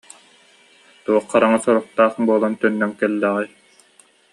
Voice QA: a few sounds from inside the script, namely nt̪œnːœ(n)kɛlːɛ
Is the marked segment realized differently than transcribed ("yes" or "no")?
yes